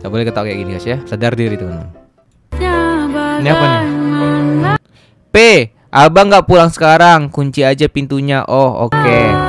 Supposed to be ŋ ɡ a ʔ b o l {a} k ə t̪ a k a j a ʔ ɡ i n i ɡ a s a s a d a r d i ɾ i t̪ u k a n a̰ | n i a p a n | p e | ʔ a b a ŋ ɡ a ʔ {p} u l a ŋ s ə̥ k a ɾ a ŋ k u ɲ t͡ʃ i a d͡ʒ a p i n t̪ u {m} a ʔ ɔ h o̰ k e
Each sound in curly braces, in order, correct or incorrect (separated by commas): incorrect, correct, incorrect